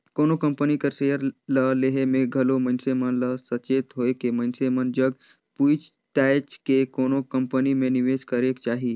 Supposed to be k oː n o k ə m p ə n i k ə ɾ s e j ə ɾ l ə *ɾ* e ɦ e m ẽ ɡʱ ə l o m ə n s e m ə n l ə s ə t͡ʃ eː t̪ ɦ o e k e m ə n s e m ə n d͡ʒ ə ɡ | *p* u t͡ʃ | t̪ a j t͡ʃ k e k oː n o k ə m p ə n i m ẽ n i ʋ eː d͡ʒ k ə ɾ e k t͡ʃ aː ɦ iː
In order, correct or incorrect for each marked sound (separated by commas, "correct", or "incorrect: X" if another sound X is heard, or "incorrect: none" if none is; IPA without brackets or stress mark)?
incorrect: l, correct